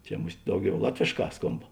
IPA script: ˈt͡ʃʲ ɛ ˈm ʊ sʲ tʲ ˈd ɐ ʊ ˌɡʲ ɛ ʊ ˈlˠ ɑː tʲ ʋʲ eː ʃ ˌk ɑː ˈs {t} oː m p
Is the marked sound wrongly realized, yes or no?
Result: yes